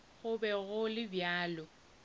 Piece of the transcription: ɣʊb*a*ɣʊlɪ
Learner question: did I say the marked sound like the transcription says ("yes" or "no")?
no